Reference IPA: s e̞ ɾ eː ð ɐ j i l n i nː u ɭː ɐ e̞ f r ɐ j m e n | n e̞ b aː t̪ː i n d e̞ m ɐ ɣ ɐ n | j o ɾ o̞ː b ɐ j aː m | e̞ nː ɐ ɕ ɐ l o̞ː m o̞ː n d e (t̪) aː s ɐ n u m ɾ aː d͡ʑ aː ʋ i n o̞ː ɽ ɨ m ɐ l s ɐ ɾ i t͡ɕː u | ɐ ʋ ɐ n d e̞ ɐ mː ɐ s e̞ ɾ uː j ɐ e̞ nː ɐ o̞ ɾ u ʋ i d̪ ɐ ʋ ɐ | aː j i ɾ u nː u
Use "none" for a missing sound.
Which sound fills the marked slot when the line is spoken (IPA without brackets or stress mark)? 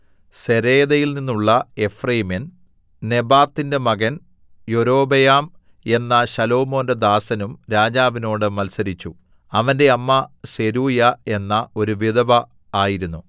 d̪